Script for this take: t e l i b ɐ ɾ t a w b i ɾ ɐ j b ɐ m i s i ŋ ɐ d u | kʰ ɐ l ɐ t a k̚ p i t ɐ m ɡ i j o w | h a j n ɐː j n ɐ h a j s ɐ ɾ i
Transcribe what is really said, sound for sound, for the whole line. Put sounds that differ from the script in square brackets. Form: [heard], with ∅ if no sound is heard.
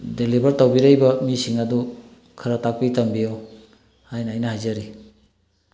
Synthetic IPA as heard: [d] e l i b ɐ ɾ t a w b i ɾ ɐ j b ɐ m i s i ŋ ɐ d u | kʰ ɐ [ɾ] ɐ t a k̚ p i t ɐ m [b] i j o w | h a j n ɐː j n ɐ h a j [z] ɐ ɾ i